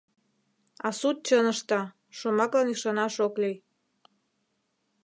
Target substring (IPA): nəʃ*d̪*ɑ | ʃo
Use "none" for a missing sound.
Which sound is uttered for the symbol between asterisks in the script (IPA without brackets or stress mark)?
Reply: t̪